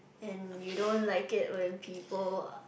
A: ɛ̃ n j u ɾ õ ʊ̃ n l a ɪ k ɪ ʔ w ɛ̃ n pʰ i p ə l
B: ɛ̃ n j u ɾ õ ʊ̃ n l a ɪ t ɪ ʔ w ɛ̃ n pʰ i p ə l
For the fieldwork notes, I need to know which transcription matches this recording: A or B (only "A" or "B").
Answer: A